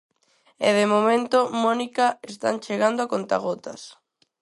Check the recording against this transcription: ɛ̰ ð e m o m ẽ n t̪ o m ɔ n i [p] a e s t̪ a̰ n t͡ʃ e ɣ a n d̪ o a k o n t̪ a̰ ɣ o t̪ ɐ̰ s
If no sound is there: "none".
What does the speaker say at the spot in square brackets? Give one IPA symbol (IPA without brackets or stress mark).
k